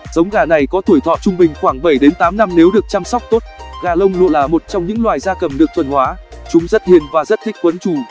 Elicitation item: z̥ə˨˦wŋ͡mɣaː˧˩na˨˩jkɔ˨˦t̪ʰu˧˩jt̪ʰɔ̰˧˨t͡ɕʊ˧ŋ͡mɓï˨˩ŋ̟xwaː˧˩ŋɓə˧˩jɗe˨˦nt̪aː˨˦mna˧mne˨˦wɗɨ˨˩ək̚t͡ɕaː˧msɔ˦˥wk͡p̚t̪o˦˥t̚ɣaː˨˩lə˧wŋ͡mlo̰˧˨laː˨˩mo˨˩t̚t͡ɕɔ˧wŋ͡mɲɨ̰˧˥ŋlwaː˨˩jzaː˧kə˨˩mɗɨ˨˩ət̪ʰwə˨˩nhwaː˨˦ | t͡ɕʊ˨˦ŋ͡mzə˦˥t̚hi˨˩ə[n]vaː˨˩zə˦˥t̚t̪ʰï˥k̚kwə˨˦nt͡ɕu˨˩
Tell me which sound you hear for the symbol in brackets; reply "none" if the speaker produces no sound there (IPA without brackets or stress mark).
n